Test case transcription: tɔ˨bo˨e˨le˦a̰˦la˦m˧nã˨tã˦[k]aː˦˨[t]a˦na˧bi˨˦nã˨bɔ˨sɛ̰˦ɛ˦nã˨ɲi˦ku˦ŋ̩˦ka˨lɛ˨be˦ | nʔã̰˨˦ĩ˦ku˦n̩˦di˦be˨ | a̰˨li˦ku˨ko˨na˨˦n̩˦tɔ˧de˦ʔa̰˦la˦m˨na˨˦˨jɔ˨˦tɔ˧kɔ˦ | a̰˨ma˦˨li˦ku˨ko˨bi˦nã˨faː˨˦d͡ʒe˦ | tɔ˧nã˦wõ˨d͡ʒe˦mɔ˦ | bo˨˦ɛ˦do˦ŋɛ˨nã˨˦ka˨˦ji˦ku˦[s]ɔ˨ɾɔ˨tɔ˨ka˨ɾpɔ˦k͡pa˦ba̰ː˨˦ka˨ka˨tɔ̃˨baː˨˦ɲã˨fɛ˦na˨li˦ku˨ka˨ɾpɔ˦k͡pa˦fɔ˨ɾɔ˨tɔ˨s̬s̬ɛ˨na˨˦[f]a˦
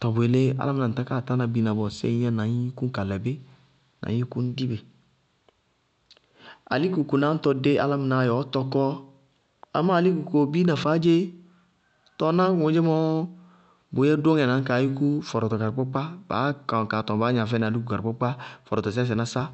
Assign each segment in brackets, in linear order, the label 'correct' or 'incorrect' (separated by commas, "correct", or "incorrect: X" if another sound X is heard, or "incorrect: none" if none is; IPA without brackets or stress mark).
correct, correct, incorrect: f, incorrect: s